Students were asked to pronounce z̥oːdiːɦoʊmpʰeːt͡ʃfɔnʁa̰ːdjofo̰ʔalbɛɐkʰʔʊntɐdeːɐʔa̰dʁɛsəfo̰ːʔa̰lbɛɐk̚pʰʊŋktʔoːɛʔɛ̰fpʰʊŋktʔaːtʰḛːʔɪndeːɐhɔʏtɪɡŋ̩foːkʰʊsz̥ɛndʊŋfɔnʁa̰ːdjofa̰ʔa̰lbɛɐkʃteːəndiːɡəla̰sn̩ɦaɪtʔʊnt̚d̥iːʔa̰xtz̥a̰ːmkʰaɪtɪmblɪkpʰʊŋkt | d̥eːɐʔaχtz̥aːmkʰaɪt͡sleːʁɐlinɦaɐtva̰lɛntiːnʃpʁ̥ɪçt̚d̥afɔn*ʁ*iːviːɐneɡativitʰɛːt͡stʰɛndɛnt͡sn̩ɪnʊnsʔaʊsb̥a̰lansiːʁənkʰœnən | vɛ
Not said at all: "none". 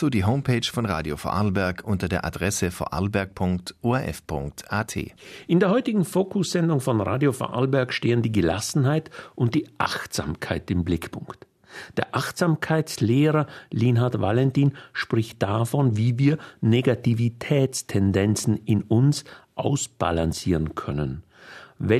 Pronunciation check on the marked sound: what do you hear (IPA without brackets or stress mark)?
v